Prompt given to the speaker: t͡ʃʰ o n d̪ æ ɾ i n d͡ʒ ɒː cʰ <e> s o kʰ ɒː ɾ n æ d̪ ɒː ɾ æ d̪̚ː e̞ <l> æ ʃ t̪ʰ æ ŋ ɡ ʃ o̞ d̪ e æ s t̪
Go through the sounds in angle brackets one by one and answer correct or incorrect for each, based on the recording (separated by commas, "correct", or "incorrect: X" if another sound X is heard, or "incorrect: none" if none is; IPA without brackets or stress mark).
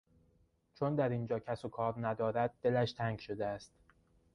incorrect: æ, correct